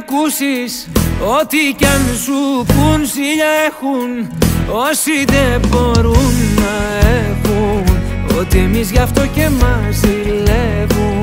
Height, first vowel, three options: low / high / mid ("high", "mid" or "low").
high